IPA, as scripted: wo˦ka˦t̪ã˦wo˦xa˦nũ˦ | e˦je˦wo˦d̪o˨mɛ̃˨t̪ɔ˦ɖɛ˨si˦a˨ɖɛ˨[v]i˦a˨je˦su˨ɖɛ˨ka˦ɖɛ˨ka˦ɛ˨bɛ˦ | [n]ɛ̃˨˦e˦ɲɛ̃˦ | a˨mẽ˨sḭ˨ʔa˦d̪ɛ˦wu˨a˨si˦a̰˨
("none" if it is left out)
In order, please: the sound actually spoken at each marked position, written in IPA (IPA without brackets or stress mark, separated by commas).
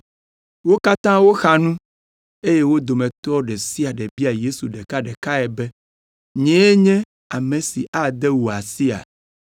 b, ɲ